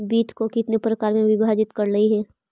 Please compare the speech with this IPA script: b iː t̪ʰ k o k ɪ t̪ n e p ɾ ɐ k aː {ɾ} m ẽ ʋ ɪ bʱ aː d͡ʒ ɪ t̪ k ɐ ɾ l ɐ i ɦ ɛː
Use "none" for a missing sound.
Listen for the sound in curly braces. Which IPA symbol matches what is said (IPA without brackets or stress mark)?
ɾ